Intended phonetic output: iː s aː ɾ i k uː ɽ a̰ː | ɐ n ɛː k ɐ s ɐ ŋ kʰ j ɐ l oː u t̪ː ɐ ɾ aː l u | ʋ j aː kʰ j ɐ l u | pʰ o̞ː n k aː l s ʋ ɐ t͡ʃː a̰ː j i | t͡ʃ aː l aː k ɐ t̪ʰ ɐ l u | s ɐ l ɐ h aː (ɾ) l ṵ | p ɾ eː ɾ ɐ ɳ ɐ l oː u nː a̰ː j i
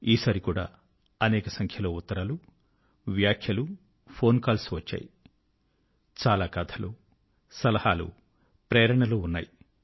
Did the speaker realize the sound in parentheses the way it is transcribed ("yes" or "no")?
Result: no